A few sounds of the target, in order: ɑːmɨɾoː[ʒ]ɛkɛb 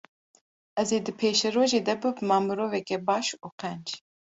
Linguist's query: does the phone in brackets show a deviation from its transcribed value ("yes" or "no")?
yes